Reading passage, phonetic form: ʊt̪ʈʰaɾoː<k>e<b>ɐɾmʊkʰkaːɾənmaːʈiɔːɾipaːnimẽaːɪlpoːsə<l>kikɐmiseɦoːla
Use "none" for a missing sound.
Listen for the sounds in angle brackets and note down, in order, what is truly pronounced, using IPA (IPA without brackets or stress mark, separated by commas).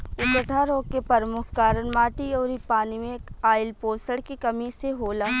k, p, ɽ